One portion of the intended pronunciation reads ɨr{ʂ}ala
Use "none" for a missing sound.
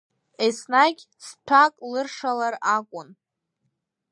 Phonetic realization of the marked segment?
ʂ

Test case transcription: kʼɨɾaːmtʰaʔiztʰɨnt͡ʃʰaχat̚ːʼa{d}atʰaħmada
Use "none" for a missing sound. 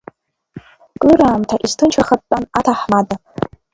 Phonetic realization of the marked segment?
n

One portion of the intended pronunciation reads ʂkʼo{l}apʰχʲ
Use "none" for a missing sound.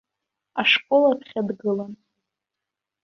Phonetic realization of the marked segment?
l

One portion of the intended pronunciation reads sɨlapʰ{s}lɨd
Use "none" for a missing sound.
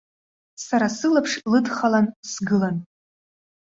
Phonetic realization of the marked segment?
ʂ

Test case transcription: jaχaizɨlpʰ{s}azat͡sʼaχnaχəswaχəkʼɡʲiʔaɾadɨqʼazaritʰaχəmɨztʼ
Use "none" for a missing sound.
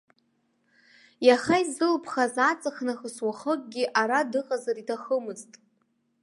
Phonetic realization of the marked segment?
χ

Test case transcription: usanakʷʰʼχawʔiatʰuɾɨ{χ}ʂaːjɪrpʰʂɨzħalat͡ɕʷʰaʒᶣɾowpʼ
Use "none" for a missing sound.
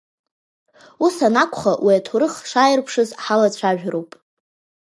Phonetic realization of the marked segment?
χ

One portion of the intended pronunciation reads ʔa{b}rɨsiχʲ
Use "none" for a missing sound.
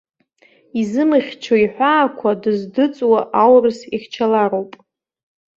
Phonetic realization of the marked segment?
w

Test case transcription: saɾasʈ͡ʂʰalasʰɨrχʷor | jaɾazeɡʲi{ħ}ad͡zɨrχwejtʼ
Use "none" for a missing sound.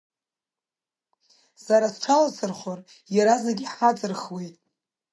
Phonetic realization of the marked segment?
ħ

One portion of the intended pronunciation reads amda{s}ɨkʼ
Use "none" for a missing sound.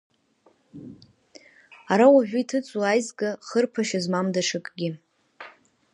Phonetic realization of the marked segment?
ʂ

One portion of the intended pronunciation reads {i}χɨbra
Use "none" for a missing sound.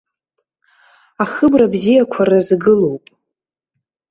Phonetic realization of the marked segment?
a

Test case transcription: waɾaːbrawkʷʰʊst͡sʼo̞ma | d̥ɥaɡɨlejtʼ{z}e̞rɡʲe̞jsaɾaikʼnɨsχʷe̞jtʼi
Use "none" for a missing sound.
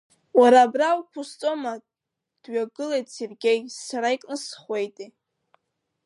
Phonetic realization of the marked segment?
s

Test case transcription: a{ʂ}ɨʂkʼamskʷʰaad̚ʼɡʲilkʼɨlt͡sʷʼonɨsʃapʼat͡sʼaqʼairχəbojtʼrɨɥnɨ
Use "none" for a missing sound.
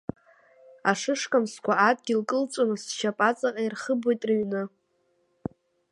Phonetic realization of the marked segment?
ʂ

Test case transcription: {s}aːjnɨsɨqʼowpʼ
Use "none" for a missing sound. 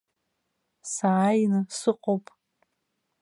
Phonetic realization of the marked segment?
s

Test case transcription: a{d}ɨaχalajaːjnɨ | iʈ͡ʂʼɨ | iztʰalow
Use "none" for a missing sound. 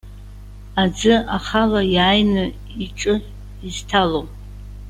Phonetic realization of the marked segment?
d͡z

